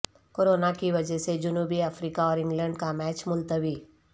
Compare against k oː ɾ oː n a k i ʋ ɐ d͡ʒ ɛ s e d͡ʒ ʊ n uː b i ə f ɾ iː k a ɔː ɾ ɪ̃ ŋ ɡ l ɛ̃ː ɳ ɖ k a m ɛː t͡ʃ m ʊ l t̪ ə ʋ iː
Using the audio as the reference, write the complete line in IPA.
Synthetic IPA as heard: k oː ɾ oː n a k i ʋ ɐ d͡ʒ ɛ s e d͡ʒ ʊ n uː b i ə f ɾ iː k a ɔː ɾ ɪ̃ ŋ ɡ l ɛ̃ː ɳ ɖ k a m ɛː t͡ʃ m ʊ l t̪ ə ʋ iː

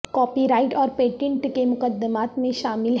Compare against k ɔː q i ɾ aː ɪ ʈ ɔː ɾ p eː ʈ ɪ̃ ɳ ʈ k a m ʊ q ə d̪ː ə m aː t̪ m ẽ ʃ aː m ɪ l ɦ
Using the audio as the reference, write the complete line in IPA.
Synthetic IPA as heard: k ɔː p i ɾ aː ɪ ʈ ɔː ɾ p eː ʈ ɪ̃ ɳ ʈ k e m ʊ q ə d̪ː ə m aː t̪ m ẽ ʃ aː m ɪ l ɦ

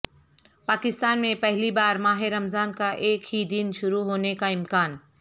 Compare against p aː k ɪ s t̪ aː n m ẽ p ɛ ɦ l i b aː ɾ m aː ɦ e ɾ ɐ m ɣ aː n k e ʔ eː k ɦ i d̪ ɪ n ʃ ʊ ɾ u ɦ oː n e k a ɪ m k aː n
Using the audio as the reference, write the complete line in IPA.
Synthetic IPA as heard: p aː k ɪ s t̪ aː n m ẽ p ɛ ɦ l i b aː ɾ m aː ɦ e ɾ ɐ m z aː n k a ʔ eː k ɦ i d̪ ɪ n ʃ ʊ ɾ u ɦ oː n e k a ɪ m k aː n

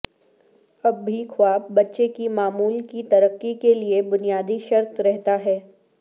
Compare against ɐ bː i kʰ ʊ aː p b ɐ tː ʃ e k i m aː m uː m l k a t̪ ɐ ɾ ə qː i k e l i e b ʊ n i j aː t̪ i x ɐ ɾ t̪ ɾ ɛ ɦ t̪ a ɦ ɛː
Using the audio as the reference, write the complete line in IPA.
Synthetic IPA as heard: ɐ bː i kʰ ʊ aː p b ɐ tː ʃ e k i m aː m uː l k i t̪ ɐ ɾ ə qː i k e l i e b ʊ n i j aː d̪ i ʃ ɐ ɾ t̪ ɾ ɛ ɦ t̪ a ɦ ɛː

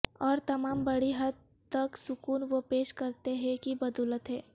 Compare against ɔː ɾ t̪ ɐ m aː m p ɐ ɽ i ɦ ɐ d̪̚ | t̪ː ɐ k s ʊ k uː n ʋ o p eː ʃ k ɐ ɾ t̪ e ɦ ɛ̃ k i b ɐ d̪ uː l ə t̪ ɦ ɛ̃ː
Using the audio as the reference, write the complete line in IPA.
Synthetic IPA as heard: ɔː ɾ t̪ ɐ m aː m b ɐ ɽ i ɦ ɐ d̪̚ | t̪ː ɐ k s ʊ k uː n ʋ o p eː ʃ k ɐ ɾ t̪ e ɦ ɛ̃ k i b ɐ d̪ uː l ə t̪ ɦ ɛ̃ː

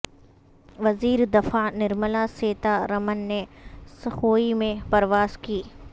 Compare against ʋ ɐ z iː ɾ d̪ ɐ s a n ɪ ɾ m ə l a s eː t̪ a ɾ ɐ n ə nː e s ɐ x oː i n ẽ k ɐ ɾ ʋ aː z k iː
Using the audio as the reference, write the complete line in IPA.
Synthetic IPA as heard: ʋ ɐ z iː ɾ d̪ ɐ f a n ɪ ɾ m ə l a s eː t̪ a ɾ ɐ m ə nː e s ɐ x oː i m ẽ p ɐ ɾ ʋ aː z k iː

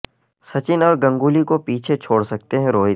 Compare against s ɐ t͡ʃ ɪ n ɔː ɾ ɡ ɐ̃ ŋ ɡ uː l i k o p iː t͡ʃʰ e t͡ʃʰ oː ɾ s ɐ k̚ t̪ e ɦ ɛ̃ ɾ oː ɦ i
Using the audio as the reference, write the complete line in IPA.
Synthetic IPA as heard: s ɐ t͡ʃ ɪ n ɔː ɾ ɡ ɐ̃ ŋ ɡ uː l i k o p iː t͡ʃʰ e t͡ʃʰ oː ɽ s ɐ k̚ t̪ e ɦ ɛ̃ ɾ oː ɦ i

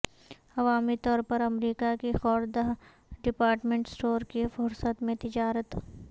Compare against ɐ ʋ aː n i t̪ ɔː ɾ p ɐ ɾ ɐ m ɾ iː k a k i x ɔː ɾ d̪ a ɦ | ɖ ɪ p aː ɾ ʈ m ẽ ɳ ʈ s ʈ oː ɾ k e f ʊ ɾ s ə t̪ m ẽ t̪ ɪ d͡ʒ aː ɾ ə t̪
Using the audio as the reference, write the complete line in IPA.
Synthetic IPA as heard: ɐ ʋ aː m i t̪ ɔː ɾ p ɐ ɾ ɐ m ɾ iː k a k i x ɔː ɾ d̪ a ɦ | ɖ ɪ p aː ɾ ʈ m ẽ ɳ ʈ s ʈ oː ɾ k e f ʊ ɾ s ə t̪ m ẽ t̪ ɪ d͡ʒ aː ɾ ə t̪

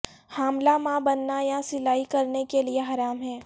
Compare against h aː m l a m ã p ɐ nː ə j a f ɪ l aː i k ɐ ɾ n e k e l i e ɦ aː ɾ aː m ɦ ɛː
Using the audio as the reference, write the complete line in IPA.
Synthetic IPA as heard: h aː m l a m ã b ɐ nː a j a s ɪ l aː i k ɐ ɾ n e k e l i e ɦ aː ɾ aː m ɦ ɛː

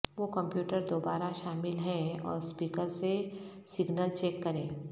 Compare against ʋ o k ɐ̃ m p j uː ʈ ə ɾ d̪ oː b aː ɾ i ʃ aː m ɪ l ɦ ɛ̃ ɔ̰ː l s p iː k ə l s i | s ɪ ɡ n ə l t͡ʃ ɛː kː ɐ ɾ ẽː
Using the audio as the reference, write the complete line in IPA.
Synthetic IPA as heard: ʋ o k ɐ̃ m p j uː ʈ ə ɾ d̪ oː b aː ɾ a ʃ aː m ɪ l ɦ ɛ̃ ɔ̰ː ɾ s p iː k ə ɾ s e | s ɪ ɡ n ə l t͡ʃ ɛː kː ɐ ɾ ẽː

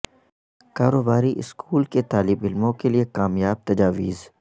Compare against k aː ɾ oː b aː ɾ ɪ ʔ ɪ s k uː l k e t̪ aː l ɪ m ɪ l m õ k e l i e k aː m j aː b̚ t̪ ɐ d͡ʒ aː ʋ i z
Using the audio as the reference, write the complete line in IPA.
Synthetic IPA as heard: k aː ɾ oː b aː ɾ i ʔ ɪ s k uː l k e t̪ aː l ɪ b ɪ l m õ k e l i e k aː m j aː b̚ t̪ ɐ d͡ʒ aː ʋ iː z

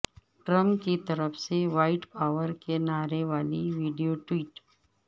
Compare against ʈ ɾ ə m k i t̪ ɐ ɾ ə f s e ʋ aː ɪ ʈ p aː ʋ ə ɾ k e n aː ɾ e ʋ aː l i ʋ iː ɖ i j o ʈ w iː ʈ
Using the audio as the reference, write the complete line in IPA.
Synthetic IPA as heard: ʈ ɾ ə m k i t̪ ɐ ɾ ə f s e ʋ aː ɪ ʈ p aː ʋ ə ɾ k e n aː ɾ e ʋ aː l i ʋ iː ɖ i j o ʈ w iː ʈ

